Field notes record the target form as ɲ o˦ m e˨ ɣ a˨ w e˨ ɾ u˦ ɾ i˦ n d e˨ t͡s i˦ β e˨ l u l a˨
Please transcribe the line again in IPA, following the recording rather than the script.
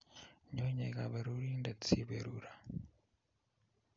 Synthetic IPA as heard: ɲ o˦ ɲ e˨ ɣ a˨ β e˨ ɾ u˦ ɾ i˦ n d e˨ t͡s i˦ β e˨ ɾ u ɾ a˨